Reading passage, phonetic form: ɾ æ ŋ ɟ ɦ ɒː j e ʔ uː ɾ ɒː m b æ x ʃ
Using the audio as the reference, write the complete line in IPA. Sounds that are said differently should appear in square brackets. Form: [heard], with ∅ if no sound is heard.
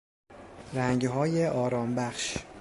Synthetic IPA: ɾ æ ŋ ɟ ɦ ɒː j e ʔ [ɒː] ɾ ɒː m b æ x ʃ